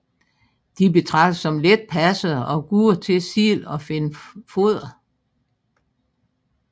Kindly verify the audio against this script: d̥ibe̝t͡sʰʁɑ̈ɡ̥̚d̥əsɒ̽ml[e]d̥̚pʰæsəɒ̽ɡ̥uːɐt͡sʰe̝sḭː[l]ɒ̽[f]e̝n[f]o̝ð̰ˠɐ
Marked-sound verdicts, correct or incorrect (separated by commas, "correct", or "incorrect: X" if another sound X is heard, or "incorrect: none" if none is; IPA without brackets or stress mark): correct, correct, correct, correct